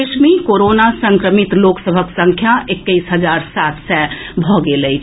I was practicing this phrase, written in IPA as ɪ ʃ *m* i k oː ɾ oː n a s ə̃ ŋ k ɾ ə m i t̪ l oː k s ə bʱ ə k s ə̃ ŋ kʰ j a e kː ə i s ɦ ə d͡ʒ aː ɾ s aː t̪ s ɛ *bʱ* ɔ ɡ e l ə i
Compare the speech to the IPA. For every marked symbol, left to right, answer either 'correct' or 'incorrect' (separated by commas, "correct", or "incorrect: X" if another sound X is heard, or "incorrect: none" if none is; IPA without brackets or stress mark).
correct, correct